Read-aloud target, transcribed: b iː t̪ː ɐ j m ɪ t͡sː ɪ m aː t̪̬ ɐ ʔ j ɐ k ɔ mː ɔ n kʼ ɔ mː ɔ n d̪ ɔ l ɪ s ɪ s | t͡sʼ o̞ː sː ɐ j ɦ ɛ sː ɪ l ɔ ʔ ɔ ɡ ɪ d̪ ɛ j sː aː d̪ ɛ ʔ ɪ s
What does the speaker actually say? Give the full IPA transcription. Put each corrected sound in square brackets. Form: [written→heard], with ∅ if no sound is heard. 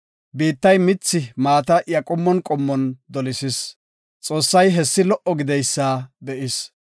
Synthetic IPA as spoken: b iː t̪ː ɐ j m ɪ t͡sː ɪ m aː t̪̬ ɐ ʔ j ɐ [k→kʼ] ɔ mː ɔ n kʼ ɔ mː ɔ n d̪ ɔ l ɪ s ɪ s | t͡sʼ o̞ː sː ɐ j ɦ ɛ sː ɪ l ɔ ʔ ɔ ɡ ɪ d̪ ɛ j sː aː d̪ ɛ ʔ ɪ s

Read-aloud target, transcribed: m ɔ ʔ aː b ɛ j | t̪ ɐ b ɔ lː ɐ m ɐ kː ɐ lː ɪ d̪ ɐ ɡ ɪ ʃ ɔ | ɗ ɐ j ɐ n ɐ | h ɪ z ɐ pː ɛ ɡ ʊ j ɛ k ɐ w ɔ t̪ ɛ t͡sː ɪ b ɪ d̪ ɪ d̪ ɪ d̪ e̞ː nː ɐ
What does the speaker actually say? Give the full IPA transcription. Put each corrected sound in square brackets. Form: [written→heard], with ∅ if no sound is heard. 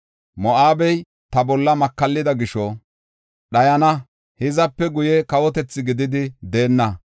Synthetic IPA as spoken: m ɔ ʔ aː b ɛ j | t̪ ɐ b ɔ lː ɐ m ɐ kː ɐ lː ɪ d̪ ɐ ɡ ɪ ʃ ɔ | ɗ ɐ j ɐ n ɐ | h ɪ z ɐ pː ɛ ɡ ʊ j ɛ k ɐ w ɔ t̪ ɛ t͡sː ɪ [b→ɡ] ɪ d̪ ɪ d̪ ɪ d̪ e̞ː nː ɐ

